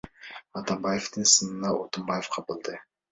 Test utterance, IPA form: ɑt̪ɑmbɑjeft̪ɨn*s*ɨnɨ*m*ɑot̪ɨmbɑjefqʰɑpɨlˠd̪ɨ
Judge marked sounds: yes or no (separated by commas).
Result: yes, no